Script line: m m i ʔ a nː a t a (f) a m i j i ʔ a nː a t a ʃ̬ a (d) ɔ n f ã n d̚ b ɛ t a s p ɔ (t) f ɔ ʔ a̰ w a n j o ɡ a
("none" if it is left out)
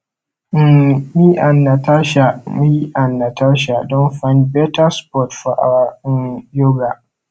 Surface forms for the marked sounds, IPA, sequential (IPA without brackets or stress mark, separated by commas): ʃ, d, t